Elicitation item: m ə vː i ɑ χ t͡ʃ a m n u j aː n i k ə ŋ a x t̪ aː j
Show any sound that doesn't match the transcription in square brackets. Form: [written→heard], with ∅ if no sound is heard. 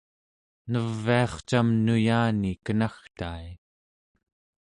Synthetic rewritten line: [m→n] ə vː i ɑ χ t͡ʃ a m n u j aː n i k ə [ŋ→n] a x t̪ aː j